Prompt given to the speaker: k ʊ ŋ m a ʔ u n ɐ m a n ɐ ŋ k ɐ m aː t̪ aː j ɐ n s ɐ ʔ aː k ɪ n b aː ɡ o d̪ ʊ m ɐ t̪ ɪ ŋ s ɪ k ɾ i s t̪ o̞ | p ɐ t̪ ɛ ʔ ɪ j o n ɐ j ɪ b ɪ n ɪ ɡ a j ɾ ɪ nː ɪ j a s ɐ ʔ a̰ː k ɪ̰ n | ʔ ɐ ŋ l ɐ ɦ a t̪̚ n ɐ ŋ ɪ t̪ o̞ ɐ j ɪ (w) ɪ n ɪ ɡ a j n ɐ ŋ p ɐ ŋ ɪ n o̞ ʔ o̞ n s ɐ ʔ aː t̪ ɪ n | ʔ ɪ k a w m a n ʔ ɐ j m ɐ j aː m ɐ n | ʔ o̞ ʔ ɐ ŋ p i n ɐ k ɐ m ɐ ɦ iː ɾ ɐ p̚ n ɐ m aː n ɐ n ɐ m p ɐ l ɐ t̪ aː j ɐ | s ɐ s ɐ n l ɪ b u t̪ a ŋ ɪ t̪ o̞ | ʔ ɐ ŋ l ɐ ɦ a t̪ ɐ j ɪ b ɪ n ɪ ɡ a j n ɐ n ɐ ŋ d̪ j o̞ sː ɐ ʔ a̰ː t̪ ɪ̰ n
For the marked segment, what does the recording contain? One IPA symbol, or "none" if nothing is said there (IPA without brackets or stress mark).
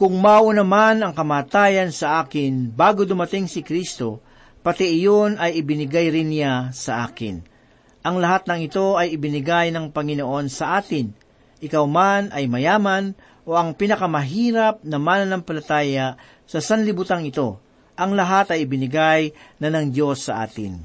b